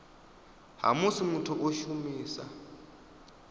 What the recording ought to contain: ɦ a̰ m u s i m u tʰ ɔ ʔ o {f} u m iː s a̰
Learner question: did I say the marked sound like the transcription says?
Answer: no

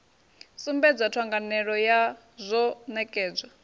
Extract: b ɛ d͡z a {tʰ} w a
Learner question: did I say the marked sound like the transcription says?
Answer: yes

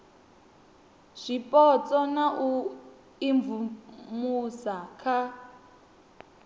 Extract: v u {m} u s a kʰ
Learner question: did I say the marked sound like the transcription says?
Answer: yes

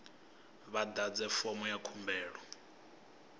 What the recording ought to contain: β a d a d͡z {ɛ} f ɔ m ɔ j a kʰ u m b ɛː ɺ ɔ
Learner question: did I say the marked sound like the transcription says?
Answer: yes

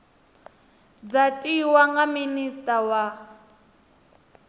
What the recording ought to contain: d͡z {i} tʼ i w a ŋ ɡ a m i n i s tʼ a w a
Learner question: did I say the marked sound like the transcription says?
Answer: no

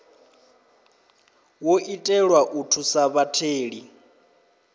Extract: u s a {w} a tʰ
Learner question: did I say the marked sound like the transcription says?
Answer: no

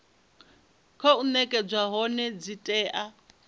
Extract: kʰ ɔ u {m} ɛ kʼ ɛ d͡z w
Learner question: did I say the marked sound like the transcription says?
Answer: no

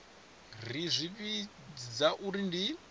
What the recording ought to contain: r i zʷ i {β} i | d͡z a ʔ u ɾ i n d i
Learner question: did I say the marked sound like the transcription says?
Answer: yes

